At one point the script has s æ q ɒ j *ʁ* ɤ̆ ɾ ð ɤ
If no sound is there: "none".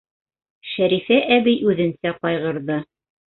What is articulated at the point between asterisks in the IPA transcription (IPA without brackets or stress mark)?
ʁ